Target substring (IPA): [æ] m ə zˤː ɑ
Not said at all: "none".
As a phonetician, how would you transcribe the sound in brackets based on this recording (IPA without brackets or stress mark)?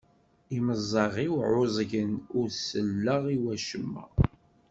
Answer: i